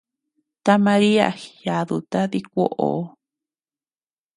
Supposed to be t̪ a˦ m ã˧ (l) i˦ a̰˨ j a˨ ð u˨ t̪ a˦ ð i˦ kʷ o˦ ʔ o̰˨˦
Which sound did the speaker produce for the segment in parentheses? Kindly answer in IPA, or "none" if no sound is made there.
ɾ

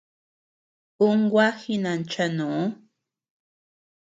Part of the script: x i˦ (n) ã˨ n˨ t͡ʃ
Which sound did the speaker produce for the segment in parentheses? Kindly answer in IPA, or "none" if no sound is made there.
n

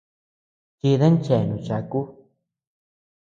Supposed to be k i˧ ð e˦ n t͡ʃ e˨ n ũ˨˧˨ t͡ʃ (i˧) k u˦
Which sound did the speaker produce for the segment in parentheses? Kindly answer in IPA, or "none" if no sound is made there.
a˧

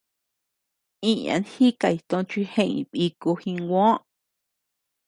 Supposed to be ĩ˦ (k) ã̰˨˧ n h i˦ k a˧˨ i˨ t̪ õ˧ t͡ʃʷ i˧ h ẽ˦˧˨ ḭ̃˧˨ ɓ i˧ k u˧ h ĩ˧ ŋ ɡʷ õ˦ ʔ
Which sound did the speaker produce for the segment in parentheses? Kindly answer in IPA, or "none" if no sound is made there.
none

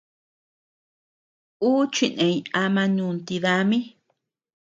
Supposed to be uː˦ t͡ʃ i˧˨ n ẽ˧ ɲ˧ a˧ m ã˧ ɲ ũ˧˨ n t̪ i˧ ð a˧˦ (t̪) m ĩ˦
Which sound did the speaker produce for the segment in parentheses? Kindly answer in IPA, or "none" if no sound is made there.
none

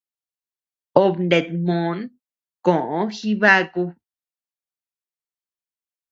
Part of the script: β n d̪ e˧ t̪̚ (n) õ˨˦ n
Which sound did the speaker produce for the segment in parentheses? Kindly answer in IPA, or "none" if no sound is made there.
m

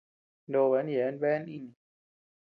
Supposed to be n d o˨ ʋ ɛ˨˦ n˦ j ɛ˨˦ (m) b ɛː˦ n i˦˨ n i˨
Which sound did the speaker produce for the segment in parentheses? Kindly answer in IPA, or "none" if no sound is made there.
n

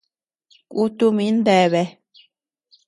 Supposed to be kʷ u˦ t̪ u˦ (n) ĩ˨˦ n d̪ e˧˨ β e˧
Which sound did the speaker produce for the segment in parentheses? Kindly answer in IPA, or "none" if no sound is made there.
m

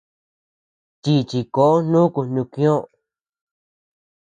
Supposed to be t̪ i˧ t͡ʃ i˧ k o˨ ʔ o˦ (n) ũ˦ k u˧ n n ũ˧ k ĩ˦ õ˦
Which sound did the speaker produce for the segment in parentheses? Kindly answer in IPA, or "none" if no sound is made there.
n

